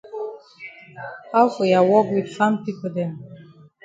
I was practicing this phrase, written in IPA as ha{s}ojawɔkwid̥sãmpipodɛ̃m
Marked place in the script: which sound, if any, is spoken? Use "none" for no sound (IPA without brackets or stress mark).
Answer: f